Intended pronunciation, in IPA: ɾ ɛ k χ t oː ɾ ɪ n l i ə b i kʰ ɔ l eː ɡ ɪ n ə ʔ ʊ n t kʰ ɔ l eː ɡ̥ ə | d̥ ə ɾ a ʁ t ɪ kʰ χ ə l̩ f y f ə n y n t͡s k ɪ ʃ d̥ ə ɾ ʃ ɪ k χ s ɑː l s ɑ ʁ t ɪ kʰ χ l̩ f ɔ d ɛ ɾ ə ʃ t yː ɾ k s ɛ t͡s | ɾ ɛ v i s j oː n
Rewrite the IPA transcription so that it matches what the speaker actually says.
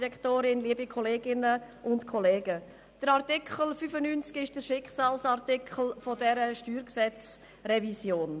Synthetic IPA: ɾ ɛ k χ t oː ɾ ɪ n l i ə b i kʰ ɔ l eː ɡ ɪ n ə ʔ ʊ n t kʰ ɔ l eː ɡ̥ ə | d̥ ə ɾ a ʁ t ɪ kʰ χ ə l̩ f y f ə n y n t͡s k ɪ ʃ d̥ ə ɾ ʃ ɪ k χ s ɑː l s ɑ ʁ t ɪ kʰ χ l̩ f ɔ d ɛ ɾ ə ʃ t yː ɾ k s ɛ t͡s | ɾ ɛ v i s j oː n